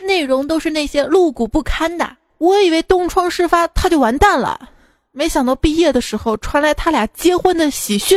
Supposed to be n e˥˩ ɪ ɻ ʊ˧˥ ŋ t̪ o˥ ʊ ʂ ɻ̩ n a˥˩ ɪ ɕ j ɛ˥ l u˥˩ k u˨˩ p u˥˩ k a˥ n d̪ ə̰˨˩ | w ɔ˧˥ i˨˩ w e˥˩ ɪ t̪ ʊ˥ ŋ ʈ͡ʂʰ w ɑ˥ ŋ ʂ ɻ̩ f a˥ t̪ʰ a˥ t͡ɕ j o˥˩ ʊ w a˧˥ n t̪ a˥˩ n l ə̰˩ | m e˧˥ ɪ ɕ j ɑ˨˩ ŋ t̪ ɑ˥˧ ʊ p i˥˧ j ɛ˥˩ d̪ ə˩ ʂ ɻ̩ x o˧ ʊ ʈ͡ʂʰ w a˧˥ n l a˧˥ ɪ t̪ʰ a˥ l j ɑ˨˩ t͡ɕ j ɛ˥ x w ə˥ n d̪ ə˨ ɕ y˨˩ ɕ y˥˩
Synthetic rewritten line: n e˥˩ ɪ ɻ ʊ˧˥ ŋ t̪ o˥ ʊ ʂ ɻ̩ n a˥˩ ɪ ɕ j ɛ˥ l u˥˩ k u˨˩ p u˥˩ kʰ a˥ n d̪ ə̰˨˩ | w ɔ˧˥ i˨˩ w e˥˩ ɪ t̪ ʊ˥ ŋ ʈ͡ʂʰ w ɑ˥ ŋ ʂ ɻ̩ f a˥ t̪ʰ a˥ t͡ɕ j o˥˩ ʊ w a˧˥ n t̪ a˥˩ n l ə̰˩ | m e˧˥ ɪ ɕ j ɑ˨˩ ŋ t̪ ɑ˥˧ ʊ p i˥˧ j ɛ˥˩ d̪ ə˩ ʂ ɻ̩ x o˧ ʊ ʈ͡ʂʰ w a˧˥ n l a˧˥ ɪ t̪ʰ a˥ l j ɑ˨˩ t͡ɕ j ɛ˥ x w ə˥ n d̪ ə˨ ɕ i˨˩ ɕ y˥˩